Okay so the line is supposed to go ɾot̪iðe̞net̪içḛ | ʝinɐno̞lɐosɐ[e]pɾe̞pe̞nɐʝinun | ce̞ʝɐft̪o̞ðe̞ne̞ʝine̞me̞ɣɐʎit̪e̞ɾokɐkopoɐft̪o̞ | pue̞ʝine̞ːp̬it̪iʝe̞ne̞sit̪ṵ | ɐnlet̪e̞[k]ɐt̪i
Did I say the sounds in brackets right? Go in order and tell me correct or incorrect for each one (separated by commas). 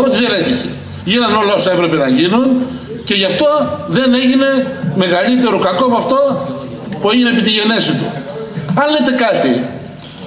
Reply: correct, correct